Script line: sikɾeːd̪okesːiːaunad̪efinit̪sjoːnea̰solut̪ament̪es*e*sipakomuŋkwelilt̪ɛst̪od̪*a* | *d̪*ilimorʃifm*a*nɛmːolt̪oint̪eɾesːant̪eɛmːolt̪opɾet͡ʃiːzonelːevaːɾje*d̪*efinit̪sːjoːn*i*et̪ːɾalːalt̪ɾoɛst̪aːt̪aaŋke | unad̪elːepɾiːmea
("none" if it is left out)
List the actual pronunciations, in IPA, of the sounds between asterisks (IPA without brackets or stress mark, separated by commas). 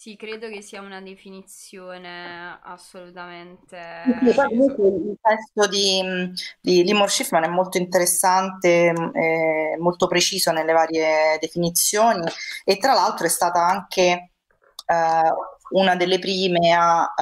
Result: i, i, d̪, a, d̪, i